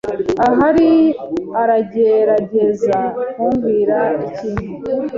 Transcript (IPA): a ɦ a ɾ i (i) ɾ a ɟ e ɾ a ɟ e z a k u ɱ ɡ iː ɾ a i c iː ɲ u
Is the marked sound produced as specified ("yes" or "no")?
no